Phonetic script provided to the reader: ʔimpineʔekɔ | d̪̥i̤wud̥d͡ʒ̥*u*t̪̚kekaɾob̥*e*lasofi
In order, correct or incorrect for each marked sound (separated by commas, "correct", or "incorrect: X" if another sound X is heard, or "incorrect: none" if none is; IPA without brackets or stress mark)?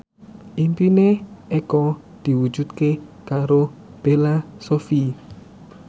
correct, correct